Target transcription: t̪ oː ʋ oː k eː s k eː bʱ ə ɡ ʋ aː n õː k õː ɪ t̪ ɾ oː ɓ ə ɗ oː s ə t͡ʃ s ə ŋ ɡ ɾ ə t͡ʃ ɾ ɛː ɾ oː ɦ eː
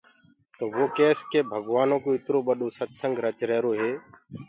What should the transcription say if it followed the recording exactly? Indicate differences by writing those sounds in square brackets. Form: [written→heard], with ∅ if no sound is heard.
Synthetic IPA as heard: t̪ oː ʋ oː k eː s k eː bʱ ə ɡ ʋ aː n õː k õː ɪ t̪ ɾ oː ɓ ə ɗ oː s ə t͡ʃ s ə ŋ ɡ ɾ ə t͡ʃ ɾ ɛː ɾ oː ɦ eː